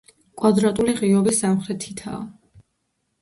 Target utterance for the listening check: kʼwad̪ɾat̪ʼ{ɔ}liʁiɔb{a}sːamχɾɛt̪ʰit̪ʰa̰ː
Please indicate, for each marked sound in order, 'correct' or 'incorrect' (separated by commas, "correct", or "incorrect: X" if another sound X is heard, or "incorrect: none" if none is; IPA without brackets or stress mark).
incorrect: u, incorrect: i